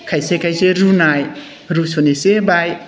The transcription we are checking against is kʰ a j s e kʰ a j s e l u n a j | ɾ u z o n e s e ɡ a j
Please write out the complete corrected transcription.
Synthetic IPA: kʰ a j s e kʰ a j s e ɾ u n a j | ɾ u s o n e s e b a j